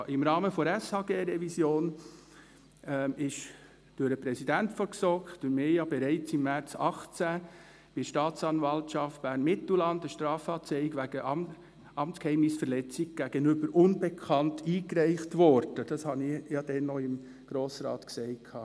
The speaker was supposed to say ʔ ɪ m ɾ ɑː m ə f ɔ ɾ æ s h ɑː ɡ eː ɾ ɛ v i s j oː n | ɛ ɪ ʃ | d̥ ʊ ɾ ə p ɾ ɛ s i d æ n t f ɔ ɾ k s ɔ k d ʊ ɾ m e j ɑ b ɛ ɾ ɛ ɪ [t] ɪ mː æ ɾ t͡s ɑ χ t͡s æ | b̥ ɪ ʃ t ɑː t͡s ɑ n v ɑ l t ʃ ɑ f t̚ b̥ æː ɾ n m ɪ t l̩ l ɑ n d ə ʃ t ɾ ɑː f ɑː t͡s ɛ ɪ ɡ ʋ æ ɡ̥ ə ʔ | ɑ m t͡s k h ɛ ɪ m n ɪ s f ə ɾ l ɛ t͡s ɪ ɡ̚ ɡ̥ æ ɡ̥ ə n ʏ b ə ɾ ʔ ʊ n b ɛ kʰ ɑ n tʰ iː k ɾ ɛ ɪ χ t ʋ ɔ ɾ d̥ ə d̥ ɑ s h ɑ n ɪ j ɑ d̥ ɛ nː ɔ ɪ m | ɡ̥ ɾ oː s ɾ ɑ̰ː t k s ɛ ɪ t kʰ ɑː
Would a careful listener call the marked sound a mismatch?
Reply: yes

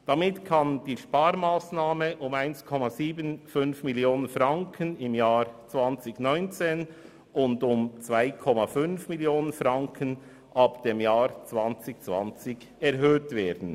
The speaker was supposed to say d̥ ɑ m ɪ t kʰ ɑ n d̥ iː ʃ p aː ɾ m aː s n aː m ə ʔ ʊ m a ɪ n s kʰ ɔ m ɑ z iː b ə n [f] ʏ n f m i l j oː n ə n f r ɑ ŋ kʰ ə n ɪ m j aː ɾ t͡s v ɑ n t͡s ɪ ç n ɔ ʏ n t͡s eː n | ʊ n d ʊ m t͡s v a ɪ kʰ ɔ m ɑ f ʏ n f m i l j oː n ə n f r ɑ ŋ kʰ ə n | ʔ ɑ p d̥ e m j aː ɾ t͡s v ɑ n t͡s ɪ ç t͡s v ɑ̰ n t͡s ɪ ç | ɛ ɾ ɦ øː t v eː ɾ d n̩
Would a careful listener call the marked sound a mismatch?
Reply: no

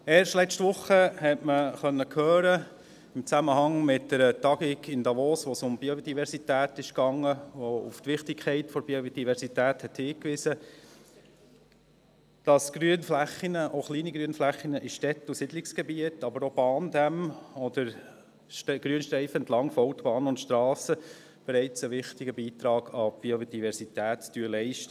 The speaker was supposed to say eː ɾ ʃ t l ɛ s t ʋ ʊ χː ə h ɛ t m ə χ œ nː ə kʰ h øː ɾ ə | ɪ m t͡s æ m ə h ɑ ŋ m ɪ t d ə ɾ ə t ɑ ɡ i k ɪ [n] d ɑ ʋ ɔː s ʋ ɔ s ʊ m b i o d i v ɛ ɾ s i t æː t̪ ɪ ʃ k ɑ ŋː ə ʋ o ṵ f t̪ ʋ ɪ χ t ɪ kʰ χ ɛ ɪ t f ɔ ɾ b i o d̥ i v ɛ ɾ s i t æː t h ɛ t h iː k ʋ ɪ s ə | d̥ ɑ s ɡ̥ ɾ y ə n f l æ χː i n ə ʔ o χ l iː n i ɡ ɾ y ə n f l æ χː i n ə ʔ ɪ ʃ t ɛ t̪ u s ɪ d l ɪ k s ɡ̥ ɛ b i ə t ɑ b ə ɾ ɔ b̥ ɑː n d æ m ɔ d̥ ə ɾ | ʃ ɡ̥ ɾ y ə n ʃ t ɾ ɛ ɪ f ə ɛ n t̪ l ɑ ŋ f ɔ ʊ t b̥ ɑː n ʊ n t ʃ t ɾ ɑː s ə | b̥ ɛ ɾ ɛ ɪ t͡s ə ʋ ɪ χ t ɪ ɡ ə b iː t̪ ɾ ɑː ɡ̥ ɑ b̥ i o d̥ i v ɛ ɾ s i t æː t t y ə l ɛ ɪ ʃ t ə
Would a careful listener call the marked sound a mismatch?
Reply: no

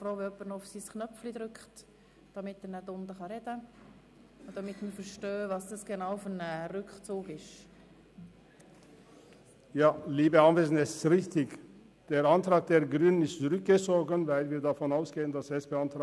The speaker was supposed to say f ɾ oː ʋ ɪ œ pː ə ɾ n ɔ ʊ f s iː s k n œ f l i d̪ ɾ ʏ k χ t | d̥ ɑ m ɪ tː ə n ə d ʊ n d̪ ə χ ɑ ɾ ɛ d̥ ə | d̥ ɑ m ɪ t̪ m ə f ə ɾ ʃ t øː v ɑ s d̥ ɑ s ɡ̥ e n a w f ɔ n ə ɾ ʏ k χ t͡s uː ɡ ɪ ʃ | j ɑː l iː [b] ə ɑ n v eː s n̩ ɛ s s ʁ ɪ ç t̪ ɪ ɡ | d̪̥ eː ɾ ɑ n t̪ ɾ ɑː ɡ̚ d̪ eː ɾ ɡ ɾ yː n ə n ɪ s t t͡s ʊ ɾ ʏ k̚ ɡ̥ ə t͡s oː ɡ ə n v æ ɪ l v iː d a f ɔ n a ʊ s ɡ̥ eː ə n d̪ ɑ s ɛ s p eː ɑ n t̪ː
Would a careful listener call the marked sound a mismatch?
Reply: no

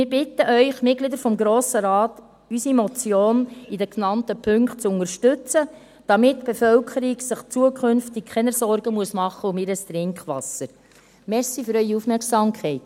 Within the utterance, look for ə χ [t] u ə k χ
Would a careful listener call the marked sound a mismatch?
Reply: yes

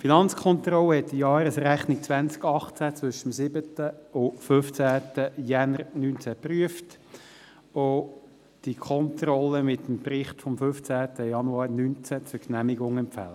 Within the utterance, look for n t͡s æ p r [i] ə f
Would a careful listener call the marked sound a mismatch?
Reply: yes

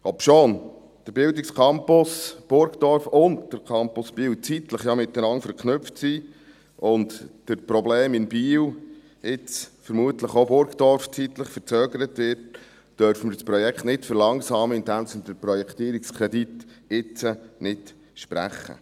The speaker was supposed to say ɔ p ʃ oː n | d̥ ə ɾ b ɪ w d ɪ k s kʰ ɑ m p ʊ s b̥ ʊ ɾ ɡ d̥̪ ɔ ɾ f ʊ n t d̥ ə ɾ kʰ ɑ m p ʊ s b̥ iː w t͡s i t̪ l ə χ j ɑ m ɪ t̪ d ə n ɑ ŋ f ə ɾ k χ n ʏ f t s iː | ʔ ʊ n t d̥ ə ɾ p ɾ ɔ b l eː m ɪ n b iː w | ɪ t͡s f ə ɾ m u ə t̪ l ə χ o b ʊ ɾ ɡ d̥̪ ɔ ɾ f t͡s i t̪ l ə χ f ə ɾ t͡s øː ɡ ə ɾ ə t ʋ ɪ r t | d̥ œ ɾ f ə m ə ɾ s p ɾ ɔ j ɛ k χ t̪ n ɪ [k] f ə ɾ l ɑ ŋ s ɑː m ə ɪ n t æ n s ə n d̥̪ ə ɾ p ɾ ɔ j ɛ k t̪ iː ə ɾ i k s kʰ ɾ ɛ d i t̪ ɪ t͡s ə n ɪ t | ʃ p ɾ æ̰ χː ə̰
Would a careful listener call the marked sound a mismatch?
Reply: yes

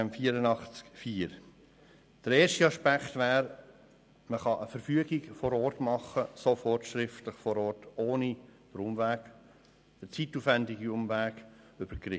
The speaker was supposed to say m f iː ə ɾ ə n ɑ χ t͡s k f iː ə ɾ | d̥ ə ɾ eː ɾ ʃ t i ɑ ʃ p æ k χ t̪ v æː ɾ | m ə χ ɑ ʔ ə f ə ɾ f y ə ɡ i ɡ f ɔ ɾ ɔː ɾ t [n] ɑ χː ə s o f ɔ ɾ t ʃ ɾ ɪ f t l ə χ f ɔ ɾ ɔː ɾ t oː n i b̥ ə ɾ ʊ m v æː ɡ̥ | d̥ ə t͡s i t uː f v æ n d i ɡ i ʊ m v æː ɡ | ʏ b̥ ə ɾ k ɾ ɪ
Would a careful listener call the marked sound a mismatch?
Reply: yes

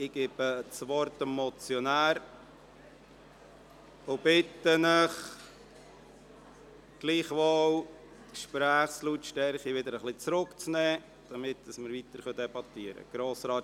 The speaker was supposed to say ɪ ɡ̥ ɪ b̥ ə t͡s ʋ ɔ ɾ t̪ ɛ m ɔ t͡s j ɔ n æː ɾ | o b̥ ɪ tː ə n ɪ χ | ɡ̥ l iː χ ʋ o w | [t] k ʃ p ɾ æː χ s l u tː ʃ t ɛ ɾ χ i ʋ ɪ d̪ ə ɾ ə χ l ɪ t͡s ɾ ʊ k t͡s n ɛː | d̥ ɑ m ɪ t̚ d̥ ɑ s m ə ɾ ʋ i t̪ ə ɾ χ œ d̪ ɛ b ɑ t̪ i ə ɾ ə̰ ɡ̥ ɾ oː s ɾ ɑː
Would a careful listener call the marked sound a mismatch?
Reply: no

